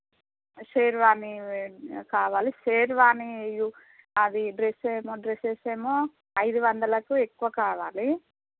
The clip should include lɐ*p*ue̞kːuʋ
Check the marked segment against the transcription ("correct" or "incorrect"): incorrect